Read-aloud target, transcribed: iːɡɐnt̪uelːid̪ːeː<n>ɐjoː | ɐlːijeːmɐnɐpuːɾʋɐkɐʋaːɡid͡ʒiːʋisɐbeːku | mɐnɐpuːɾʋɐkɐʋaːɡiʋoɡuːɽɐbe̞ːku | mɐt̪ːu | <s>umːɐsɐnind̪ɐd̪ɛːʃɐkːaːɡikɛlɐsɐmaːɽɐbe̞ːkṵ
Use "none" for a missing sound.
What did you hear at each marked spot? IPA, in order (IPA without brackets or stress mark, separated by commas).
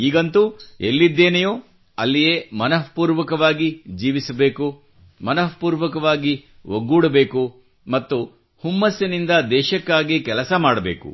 n, h